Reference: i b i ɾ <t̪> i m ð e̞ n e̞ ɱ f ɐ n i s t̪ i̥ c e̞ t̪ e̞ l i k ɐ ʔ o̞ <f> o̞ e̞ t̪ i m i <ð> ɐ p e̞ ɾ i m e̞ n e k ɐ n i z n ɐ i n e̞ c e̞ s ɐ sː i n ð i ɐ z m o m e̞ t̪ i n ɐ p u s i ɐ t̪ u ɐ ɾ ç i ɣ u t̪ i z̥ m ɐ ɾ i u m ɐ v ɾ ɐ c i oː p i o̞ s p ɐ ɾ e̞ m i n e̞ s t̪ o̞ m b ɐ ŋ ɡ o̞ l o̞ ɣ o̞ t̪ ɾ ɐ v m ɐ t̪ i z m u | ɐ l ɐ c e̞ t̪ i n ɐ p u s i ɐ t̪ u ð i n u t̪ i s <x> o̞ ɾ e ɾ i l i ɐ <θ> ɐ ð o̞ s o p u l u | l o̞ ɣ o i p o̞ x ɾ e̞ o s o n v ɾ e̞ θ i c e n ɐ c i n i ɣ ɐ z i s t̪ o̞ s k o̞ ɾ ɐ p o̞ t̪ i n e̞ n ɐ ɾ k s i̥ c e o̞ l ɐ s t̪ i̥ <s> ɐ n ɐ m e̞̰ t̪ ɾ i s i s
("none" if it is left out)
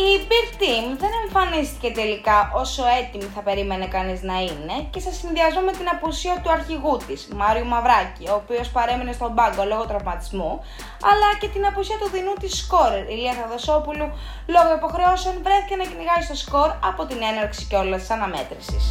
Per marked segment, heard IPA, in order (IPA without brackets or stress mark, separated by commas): t̪, s, θ, k, θ, s